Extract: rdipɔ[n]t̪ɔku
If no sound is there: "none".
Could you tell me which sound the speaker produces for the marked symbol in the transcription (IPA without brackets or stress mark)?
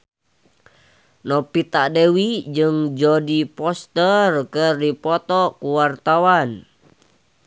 none